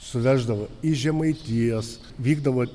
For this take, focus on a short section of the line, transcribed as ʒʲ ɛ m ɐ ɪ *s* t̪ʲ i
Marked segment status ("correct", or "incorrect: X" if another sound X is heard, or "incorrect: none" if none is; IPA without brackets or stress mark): incorrect: none